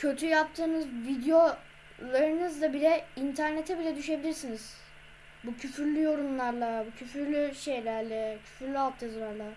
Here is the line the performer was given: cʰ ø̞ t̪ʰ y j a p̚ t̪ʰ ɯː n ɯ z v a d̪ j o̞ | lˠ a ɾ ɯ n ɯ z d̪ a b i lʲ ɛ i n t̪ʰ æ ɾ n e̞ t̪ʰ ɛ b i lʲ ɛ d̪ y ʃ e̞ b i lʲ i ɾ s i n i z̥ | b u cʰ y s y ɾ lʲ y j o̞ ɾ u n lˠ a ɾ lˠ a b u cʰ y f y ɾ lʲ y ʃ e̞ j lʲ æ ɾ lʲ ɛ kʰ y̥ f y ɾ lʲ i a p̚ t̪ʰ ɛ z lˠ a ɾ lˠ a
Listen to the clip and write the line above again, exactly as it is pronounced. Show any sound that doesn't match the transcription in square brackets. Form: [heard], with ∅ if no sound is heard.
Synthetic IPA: cʰ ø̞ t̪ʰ y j a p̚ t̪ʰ ɯː n ɯ z v [i] d̪ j o̞ | lˠ a ɾ ɯ n ɯ z d̪ a b i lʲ ɛ i n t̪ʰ æ ɾ n e̞ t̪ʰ ɛ b i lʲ ɛ d̪ y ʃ e̞ b i lʲ i ɾ s i n i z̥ | b u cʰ y [f] y ɾ lʲ y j o̞ ɾ u n lˠ a ɾ lˠ a b u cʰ y f y ɾ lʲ y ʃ e̞ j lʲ æ ɾ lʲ ɛ [cʰ] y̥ f y ɾ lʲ [y] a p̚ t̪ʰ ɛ z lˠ a ɾ lˠ a